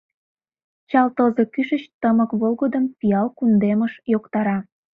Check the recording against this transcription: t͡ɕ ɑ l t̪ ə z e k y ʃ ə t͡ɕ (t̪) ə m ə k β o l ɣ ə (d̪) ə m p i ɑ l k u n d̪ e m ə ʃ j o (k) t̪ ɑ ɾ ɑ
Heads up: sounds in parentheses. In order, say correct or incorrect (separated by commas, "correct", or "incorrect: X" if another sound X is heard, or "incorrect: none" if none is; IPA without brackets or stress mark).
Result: correct, correct, correct